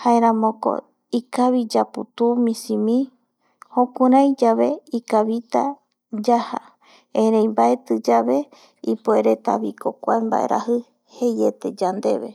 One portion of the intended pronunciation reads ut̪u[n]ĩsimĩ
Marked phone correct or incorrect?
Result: incorrect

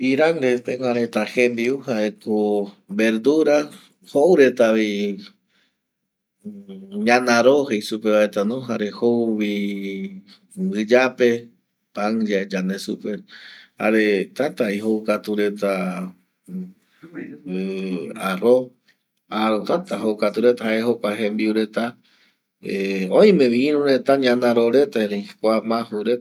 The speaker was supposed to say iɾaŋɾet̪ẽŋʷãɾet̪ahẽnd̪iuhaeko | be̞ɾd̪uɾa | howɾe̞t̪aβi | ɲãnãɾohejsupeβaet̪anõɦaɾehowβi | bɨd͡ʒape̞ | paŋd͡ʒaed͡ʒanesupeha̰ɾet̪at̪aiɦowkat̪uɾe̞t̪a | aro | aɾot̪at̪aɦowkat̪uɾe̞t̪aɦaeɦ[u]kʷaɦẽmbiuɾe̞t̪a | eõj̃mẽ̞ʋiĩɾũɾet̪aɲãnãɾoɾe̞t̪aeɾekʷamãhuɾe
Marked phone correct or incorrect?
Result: incorrect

